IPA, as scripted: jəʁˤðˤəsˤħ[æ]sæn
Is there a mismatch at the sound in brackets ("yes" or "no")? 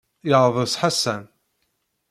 yes